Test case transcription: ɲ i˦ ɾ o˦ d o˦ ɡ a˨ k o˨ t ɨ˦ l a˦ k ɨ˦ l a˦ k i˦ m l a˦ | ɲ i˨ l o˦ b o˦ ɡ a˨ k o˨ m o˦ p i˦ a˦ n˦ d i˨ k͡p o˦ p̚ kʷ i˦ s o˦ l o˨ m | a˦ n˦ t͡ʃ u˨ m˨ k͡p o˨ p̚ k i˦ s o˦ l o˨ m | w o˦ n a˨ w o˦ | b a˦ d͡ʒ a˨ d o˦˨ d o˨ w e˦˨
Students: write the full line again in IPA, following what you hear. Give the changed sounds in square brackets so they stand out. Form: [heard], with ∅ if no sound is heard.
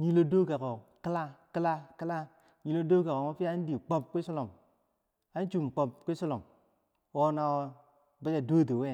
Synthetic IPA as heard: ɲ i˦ [l] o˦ d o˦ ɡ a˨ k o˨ [k] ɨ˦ l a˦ k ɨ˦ l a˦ k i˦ [∅] l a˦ | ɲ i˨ l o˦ [d] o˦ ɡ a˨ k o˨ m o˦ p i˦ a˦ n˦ d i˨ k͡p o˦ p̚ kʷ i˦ s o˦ l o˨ m | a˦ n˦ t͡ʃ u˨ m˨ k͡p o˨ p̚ k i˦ s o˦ l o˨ m | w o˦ n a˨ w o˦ | b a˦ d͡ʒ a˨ d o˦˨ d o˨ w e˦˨

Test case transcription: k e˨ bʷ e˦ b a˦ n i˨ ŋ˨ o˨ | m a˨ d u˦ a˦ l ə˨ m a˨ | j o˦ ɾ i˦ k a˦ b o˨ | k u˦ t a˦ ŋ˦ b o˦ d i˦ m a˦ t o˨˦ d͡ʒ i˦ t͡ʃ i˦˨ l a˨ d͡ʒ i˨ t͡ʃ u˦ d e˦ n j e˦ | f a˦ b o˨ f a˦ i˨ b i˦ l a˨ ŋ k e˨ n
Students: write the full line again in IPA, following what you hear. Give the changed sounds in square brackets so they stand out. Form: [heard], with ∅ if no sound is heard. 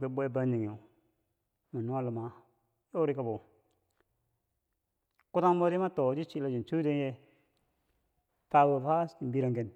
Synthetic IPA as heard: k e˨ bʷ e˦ b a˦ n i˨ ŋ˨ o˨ | m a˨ [n] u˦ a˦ l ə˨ m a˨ | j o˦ ɾ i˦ k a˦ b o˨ | k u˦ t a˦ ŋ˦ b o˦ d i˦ m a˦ t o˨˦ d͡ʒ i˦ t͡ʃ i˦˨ l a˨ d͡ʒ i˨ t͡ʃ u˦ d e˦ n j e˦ | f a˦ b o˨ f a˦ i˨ b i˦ [ɾ] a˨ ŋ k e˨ n

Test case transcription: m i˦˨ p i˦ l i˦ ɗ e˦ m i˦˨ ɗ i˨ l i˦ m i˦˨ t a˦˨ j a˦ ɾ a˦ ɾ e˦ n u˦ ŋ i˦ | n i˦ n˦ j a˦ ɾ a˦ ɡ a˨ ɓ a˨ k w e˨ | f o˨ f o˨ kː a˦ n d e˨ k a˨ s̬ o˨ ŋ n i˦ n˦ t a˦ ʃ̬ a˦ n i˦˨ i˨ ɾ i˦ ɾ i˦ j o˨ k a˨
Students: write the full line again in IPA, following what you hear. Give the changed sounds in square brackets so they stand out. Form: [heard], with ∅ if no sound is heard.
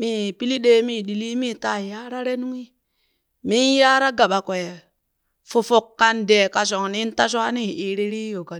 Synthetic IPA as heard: m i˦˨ p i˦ l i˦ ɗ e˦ m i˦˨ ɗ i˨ l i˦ m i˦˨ t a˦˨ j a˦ ɾ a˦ ɾ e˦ n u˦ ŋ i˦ | [m] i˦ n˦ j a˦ ɾ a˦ ɡ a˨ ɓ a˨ k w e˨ | f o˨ f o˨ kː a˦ n d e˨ k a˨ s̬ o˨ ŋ n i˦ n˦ t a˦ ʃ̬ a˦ n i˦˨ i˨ ɾ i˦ ɾ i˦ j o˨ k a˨

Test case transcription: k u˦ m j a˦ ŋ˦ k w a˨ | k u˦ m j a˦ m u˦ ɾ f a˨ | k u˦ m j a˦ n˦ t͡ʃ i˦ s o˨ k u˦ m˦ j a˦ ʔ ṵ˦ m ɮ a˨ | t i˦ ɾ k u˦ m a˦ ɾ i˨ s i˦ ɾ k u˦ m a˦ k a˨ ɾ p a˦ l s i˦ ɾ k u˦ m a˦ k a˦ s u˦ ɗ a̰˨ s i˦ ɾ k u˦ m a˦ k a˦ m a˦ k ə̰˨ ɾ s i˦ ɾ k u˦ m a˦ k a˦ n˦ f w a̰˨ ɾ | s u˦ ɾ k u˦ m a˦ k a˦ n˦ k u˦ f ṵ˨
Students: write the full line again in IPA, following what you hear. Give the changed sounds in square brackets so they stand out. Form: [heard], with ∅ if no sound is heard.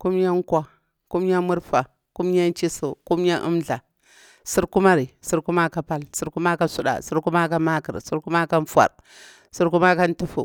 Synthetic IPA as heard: k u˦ m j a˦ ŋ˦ k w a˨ | k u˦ m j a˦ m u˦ ɾ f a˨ | k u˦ m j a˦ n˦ t͡ʃ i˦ s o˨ k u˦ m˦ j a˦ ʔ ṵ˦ m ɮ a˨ | [s] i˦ ɾ k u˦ m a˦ ɾ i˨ s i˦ ɾ k u˦ m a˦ k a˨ [∅] p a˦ l s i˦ ɾ k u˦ m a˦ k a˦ s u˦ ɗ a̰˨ s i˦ ɾ k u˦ m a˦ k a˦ m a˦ k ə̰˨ ɾ s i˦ ɾ k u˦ m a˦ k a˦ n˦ f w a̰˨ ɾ | s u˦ ɾ k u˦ m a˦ k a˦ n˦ [t] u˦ f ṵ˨

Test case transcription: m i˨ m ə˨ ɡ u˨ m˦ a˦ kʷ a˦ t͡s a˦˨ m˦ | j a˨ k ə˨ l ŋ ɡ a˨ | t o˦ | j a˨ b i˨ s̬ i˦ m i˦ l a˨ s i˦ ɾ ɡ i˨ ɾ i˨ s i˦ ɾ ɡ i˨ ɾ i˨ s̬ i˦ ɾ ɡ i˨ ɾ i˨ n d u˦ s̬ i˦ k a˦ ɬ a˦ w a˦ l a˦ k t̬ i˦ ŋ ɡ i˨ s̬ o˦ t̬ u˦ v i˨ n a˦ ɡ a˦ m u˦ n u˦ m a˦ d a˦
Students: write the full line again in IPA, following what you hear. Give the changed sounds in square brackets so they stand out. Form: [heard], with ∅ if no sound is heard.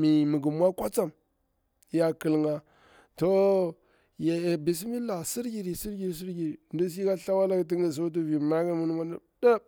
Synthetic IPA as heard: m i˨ m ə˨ ɡ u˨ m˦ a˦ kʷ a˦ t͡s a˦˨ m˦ | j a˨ k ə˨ l ŋ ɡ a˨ | t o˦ | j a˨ b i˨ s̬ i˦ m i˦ l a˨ s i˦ ɾ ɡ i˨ ɾ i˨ s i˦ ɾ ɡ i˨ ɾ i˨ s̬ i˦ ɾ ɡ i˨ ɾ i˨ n d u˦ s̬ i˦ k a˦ ɬ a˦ w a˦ l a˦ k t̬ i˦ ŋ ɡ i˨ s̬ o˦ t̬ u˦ v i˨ [m] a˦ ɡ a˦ m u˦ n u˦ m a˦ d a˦

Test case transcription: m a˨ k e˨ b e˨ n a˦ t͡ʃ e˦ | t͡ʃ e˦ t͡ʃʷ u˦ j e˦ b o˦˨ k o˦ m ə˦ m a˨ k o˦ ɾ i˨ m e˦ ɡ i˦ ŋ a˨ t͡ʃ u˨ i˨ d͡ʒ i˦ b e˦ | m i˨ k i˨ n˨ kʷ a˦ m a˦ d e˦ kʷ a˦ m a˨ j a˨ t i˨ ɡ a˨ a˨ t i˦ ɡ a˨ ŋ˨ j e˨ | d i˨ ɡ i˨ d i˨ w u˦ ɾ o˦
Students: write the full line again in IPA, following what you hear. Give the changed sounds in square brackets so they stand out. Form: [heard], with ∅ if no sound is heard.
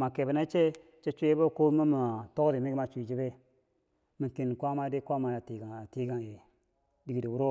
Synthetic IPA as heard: m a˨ k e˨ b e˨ n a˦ t͡ʃ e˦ | t͡ʃ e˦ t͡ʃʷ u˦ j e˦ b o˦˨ k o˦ m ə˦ m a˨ [t] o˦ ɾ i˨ m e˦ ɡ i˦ [m] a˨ t͡ʃ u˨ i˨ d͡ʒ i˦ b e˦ | m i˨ k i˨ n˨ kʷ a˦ m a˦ d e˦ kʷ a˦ m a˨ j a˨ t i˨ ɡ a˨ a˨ t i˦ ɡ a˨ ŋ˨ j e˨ | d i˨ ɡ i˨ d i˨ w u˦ ɾ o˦

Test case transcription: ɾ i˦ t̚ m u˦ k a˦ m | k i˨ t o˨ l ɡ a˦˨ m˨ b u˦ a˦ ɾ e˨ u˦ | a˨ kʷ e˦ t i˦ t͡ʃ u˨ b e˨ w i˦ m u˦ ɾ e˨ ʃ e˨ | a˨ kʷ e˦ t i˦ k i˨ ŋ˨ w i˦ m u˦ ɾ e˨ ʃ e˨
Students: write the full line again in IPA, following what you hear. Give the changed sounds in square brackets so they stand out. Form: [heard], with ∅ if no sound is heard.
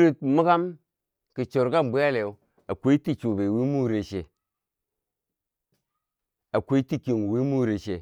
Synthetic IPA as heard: ɾ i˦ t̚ m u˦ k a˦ m | k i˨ [t͡ʃ] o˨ [ɾ] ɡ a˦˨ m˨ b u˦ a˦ [l] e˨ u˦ | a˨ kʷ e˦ t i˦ t͡ʃ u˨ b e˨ w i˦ m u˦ ɾ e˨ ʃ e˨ | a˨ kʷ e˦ t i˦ k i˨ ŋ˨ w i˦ m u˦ ɾ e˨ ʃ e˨

